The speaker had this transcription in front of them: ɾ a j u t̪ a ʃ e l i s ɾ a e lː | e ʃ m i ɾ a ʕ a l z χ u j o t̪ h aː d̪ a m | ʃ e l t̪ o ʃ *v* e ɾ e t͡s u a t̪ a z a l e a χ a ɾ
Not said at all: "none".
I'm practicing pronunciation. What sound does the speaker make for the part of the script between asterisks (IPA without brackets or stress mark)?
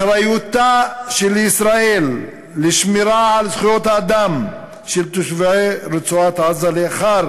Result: v